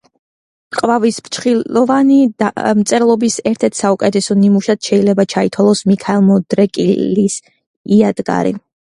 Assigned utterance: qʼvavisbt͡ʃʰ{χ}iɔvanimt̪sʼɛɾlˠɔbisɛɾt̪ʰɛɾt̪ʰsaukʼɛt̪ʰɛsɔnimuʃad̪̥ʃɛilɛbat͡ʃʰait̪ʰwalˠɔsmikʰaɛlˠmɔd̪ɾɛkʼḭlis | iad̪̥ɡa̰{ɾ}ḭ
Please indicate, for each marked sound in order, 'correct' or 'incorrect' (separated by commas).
correct, correct